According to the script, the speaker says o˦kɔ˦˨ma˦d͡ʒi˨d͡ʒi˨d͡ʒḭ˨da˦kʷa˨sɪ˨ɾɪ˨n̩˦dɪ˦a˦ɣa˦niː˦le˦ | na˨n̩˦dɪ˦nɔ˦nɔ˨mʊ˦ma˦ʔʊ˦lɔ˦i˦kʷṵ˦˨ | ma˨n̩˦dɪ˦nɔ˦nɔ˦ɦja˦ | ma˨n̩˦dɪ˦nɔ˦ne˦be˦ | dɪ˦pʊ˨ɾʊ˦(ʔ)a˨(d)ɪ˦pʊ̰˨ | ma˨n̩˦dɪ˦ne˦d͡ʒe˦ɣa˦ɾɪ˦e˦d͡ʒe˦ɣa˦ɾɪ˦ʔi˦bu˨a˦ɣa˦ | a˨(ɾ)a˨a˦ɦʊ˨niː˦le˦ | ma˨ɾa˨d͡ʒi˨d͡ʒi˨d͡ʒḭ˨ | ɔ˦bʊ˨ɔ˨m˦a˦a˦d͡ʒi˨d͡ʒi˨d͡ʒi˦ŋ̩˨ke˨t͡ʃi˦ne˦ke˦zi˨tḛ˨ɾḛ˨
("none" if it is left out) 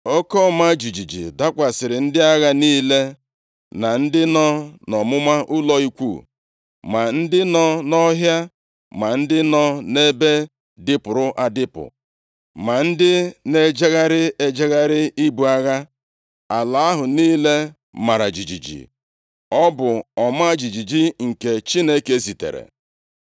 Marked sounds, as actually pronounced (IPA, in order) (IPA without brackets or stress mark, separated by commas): ʔ, d, l